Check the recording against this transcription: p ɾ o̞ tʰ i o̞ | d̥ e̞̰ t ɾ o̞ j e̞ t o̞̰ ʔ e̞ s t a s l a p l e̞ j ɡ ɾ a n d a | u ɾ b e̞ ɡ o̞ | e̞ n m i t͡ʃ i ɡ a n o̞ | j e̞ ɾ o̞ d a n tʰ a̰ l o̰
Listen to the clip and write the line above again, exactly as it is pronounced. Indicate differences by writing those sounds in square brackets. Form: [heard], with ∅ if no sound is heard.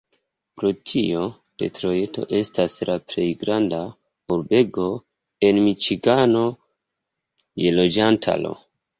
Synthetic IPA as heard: p ɾ o̞ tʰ i o̞ | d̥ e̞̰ t ɾ o̞ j e̞ t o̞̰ ʔ e̞ s t a s l a p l e̞ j ɡ ɾ a n d a | u ɾ b e̞ ɡ o̞ | e̞ n m i t͡ʃ i ɡ a n o̞ | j e̞ [l] o̞ [d͡ʒ] a n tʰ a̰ l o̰